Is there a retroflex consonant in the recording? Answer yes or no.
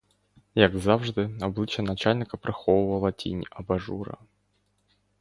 yes